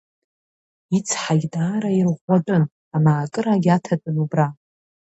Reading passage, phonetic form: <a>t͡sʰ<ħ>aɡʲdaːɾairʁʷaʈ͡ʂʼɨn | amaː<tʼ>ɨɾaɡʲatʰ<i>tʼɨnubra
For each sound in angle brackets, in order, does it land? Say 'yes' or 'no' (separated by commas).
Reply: no, yes, no, no